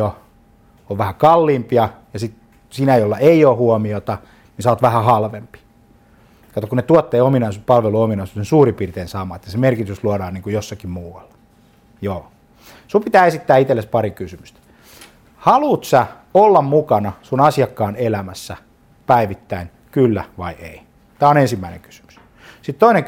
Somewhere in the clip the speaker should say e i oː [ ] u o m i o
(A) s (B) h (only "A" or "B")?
B